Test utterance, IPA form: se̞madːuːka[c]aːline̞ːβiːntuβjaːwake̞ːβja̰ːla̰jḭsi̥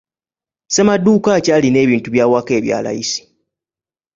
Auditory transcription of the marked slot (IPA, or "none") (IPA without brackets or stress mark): c